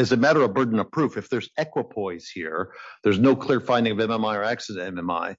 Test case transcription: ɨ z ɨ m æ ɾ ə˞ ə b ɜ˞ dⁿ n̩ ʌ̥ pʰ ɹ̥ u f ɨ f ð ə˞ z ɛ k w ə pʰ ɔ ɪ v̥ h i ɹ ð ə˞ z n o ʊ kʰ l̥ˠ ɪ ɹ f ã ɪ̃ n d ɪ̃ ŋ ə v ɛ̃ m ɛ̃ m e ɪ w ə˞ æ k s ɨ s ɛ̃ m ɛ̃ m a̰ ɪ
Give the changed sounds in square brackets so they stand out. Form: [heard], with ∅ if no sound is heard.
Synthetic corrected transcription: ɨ z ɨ m æ ɾ ə˞ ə b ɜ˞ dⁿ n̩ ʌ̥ pʰ ɹ̥ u f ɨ f ð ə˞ z ɛ k w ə pʰ ɔ ɪ [z̥] h i ɹ ð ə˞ z n o ʊ kʰ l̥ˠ ɪ ɹ f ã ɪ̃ n d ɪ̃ ŋ [ʌ] v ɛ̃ m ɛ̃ m [a] ɪ [∅] ə˞ æ k s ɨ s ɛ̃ m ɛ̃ m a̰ ɪ